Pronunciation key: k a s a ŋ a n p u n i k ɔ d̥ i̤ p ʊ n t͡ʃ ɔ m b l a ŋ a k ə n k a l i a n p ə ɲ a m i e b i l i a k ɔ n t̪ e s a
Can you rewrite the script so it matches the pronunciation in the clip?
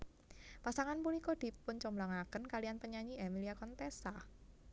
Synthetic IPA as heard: p a s a ŋ a n p u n i k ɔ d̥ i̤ p ʊ n t͡ʃ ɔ m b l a ŋ a k ə n k a l i a n p ə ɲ a ɲ i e m i l i a k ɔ n t̪ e s a

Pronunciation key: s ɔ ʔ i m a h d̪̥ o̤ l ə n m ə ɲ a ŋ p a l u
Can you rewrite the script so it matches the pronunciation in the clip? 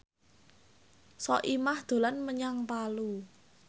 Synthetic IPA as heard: s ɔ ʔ i m a h d̪̥ o̤ l a n m ə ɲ a ŋ p a l u

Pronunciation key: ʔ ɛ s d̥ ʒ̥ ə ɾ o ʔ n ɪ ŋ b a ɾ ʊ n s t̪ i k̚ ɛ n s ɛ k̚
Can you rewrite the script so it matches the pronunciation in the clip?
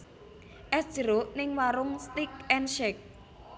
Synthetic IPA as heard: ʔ ɛ s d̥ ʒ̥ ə ɾ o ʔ n ɪ ŋ w a ɾ ʊ ŋ s t̪ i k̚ ɛ n ʃ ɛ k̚

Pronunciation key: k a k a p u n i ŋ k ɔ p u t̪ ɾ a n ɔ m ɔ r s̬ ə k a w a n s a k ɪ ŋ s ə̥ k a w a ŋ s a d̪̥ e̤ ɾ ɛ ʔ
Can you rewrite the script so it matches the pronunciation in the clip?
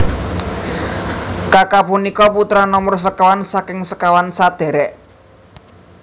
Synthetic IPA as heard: k a k a p u n i k ɔ p u t̪ ɾ a n ɔ m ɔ r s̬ ə k a w a n s a k ɪ ŋ s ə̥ k a w a n s a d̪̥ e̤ ɾ ɛ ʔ

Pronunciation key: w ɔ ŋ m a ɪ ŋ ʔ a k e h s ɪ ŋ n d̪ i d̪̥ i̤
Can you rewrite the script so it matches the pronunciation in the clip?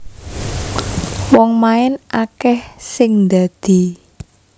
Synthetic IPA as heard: w ɔ ŋ m a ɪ n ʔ a k ɛ h s ɪ ŋ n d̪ a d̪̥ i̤

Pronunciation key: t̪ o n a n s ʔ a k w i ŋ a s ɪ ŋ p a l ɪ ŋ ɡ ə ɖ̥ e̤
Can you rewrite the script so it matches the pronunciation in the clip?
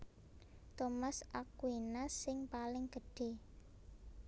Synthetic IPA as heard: t̪ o m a s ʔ a k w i n a s ɪ ŋ p a l ɪ ŋ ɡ ə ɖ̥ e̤

